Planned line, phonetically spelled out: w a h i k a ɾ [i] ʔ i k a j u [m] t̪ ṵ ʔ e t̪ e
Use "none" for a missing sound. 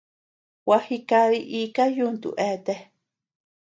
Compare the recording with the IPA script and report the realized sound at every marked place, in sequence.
i, n

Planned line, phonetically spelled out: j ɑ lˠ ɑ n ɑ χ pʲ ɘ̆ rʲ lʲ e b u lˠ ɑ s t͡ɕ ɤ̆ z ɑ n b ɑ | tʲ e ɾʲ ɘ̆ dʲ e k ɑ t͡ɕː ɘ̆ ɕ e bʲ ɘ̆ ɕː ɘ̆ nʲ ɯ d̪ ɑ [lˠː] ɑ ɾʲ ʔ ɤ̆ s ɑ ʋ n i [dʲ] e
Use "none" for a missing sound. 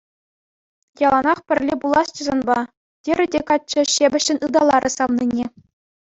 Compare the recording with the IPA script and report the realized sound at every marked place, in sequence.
lˠ, nʲ

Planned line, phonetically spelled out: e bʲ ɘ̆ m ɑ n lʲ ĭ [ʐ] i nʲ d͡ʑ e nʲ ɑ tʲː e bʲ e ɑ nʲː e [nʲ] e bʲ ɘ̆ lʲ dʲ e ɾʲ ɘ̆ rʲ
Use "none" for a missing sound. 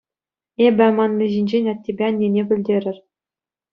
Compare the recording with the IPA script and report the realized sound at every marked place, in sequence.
ʑ, nʲ

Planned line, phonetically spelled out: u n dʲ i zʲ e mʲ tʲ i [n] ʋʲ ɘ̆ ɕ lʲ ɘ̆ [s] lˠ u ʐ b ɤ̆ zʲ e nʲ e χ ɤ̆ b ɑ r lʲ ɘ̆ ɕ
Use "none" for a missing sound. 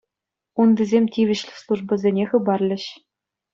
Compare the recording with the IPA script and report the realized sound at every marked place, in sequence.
none, s

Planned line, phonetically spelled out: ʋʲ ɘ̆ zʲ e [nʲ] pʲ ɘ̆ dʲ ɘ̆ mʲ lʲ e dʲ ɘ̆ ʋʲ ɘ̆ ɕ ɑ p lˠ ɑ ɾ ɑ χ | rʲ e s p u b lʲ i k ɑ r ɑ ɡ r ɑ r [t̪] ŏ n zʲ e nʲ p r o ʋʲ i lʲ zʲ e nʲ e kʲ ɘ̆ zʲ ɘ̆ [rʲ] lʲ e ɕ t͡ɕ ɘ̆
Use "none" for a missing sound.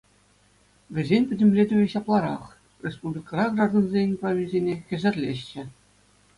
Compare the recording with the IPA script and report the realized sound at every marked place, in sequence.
nʲ, d̪, rʲ

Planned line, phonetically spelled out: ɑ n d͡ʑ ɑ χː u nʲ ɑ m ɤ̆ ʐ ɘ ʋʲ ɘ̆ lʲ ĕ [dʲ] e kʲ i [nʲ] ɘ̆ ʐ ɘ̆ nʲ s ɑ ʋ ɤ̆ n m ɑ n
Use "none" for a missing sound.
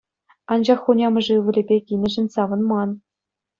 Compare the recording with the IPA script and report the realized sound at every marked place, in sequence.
bʲ, nʲ

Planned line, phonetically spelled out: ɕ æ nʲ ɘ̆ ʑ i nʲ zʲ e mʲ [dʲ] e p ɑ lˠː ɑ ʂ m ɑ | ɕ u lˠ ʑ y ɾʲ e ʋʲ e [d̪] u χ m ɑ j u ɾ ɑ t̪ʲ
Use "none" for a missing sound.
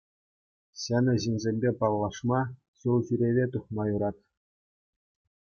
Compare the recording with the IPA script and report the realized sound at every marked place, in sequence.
bʲ, t̪

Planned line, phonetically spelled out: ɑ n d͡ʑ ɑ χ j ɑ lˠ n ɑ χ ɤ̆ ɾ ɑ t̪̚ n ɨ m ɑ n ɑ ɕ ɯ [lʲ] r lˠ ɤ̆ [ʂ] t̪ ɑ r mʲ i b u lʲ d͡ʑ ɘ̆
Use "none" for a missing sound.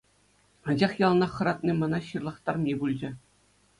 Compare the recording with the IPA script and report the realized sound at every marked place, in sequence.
none, χ

